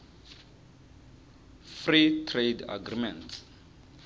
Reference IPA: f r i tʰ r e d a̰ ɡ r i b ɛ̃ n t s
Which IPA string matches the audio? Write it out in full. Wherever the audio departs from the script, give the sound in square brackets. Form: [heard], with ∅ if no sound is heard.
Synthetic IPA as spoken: f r i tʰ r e d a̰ ɡ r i [m] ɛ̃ n t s